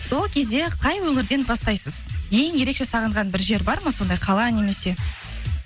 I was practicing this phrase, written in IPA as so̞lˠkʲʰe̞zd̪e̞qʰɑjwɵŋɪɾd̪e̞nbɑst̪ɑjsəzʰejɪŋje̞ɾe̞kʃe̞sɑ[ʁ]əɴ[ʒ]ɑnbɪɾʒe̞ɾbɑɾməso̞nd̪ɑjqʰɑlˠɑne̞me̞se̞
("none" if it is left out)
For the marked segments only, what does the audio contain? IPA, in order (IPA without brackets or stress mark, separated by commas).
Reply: ʁ, ʁ